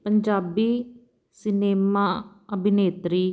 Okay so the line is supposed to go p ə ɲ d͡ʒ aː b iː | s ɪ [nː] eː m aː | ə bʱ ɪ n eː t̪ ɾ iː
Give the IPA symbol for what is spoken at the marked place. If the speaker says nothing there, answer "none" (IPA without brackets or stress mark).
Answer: n